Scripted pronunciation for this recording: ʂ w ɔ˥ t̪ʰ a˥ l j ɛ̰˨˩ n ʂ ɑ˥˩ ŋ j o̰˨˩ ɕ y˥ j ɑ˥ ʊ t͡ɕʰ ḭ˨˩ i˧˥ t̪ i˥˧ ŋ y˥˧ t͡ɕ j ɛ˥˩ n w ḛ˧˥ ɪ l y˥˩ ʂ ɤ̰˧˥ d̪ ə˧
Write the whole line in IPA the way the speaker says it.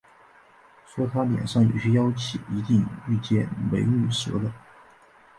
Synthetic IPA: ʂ w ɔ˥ t̪ʰ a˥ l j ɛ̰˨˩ n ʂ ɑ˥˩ ŋ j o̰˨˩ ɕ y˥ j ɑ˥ ʊ t͡ɕʰ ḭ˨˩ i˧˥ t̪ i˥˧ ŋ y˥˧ t͡ɕ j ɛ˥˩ n w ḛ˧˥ ɪ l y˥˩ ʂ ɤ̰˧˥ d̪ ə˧